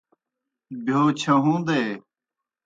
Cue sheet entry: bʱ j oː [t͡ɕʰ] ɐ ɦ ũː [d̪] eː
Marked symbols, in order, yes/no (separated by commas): yes, yes